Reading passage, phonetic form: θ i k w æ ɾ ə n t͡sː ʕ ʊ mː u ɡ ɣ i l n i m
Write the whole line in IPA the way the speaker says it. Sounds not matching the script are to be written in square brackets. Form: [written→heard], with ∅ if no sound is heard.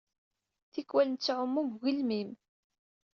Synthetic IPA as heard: θ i k w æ [ɾ→l] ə n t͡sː ʕ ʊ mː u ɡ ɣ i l [n→m] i m